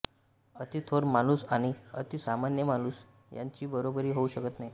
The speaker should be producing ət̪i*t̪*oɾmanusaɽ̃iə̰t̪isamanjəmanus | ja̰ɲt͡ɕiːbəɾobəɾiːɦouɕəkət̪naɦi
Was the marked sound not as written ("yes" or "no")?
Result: yes